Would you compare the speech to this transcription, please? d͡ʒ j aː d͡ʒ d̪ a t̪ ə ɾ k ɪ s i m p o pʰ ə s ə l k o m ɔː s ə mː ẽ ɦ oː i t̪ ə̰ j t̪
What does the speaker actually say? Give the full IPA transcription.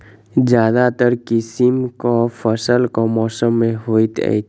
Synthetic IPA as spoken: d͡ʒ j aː d̪ a t̪ ə ɾ k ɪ s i m k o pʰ ə s ə l k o m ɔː s ə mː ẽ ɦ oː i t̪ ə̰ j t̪